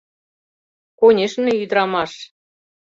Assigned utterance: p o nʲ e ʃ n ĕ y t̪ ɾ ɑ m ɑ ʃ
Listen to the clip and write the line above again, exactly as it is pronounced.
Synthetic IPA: k o nʲ e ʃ n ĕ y d̪ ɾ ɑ m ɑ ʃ